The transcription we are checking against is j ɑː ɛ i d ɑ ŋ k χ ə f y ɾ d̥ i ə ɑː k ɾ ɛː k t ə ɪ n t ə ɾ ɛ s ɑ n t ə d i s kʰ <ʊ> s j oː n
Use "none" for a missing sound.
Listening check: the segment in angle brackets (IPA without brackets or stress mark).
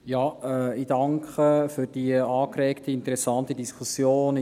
u